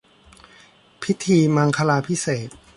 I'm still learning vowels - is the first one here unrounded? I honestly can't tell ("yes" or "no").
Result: yes